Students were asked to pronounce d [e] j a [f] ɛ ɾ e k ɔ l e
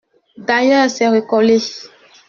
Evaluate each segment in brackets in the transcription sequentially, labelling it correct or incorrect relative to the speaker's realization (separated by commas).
incorrect, incorrect